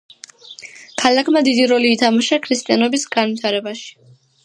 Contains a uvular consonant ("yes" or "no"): no